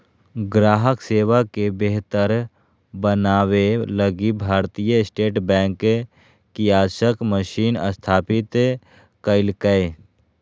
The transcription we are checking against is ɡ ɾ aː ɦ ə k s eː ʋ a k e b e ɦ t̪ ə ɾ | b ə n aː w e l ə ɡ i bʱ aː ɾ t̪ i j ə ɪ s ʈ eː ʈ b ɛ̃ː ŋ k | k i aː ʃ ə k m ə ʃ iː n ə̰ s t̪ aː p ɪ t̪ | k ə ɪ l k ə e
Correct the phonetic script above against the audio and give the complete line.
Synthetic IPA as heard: ɡ ɾ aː ɦ ə k s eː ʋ a k e b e ɦ t̪ ə ɾ | b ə n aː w e l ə ɡ i bʱ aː ɾ t̪ i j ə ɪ s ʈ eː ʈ b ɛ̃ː ŋ k | k i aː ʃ ə k m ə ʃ iː n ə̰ s t̪ʰ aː p ɪ t̪ | k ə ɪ l k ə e